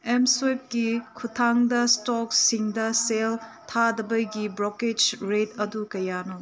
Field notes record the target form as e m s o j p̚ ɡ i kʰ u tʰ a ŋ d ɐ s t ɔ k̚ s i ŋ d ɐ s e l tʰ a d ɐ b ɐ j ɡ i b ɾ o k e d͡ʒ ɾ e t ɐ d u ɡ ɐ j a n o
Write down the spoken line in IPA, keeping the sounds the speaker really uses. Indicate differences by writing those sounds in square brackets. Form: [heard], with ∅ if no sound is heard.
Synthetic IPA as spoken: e m s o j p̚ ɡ i kʰ u tʰ a ŋ d ɐ s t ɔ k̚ s i ŋ d ɐ s e l tʰ a d ɐ b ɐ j ɡ i b ɾ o k e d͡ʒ ɾ e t ɐ d u [k] ɐ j a n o